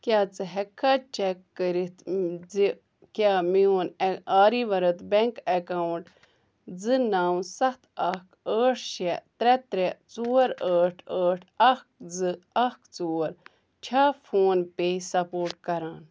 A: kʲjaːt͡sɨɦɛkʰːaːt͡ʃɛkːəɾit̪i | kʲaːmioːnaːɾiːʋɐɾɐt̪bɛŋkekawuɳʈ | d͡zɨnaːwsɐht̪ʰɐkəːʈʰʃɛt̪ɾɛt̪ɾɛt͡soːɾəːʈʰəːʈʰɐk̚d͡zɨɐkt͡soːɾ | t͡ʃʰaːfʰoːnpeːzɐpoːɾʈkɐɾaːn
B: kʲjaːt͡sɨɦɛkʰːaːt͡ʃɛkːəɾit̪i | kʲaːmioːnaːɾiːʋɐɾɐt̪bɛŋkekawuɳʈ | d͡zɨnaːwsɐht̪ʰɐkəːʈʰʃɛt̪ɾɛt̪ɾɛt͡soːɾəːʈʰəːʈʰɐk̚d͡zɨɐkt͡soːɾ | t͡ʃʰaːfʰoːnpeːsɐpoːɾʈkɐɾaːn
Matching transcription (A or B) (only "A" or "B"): B